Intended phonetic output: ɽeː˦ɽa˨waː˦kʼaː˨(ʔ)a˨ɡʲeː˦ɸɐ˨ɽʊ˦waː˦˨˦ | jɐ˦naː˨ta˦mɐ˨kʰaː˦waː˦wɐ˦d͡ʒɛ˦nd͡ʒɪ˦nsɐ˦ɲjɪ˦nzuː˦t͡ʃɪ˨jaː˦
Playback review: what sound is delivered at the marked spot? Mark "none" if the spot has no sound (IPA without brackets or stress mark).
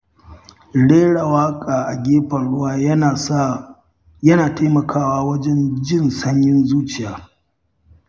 ʔ